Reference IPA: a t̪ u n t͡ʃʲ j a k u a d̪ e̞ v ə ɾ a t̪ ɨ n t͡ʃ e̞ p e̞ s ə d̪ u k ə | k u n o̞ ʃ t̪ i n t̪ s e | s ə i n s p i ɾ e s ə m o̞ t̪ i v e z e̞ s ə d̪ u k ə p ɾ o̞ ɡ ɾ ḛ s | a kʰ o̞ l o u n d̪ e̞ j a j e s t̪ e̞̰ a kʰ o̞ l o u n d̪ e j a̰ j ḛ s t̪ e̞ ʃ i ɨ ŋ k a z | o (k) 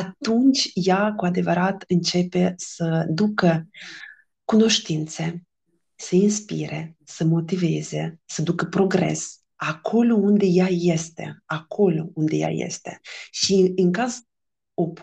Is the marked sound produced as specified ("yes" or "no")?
no